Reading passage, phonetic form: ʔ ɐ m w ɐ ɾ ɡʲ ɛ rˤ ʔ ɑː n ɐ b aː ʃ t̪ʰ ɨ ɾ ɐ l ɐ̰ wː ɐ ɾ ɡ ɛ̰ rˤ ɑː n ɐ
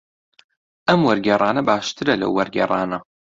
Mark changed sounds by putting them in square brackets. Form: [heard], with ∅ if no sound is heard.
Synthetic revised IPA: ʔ ɐ m w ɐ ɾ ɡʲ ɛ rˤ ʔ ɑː n ɐ b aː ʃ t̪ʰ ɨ ɾ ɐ l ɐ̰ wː ɐ ɾ ɡ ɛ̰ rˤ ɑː n ɐ